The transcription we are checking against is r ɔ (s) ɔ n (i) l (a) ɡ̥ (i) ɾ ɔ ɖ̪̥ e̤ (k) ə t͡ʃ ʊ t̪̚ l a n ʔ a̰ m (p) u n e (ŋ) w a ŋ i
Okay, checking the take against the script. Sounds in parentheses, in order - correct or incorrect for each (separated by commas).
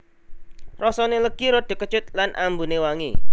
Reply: correct, incorrect, incorrect, correct, correct, incorrect, incorrect